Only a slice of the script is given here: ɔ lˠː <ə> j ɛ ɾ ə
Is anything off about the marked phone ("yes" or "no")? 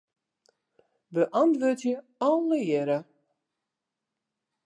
no